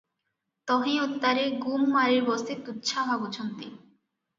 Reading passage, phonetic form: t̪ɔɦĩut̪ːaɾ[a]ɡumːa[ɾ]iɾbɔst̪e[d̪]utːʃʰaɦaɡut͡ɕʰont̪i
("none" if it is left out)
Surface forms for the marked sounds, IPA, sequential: e, ɾ, t̪

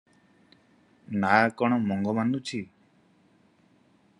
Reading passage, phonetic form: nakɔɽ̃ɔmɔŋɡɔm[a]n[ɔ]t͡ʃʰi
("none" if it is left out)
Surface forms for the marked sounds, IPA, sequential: a, u

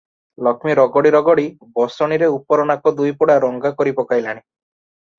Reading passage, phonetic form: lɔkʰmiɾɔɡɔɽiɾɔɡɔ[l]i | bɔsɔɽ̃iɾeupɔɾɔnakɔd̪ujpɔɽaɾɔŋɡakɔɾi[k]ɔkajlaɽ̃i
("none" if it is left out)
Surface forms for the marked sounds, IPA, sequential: ɽ, p

